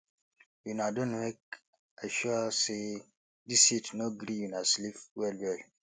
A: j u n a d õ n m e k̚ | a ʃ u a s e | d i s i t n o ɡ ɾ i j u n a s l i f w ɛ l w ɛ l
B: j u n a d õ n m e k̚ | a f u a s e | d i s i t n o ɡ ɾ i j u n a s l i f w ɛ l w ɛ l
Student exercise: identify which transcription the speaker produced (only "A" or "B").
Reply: A